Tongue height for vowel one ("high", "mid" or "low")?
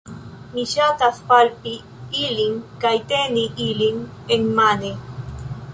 high